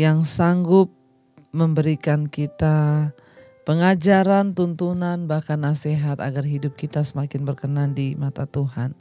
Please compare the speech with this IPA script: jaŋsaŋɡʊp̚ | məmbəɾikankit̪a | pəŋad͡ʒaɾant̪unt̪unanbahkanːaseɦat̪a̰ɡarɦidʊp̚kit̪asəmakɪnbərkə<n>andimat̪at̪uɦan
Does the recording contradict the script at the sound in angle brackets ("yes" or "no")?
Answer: no